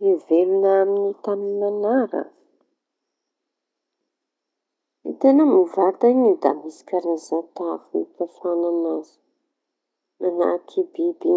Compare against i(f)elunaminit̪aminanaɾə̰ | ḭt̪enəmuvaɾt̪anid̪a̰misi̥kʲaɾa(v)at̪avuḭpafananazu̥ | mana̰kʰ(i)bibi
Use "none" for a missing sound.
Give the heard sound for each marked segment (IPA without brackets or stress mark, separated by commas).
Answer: v, z, i